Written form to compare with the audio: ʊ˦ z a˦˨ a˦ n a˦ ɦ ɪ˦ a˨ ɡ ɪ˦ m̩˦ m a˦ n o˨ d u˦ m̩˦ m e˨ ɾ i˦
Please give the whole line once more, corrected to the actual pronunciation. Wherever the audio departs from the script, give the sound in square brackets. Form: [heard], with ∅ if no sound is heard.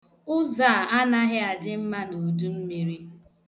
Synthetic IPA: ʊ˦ z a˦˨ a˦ n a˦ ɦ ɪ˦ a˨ [d] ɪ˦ m̩˦ m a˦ n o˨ d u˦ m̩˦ m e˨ ɾ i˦